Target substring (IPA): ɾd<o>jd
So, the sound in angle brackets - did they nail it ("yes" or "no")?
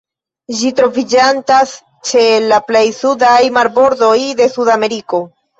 yes